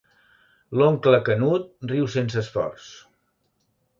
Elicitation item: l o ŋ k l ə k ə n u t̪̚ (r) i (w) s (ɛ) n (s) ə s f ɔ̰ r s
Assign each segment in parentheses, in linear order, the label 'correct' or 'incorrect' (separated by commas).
correct, correct, incorrect, correct